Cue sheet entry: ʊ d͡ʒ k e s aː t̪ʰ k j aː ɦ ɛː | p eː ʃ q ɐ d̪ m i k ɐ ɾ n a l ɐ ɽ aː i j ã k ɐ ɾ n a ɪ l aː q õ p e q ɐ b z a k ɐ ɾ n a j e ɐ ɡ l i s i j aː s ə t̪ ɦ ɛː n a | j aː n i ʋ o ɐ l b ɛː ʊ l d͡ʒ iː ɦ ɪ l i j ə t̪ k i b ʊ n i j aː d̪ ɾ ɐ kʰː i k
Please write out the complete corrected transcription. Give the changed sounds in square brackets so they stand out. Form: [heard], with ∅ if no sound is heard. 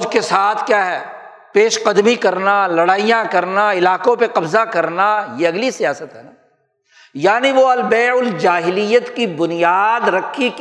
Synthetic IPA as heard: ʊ d͡ʒ k e s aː t̪ʰ k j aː ɦ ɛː | p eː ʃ q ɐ d̪ m i k ɐ ɾ n a l ɐ ɽ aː i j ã k ɐ ɾ n a ɪ l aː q õ p e q ɐ b z a k ɐ ɾ n a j e ɐ ɡ l i s i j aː s ə t̪ ɦ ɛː n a | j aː n i ʋ o ɐ l b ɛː ʊ l d͡ʒ [aː] ɦ ɪ l i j ə t̪ k i b ʊ n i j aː d̪ ɾ ɐ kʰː i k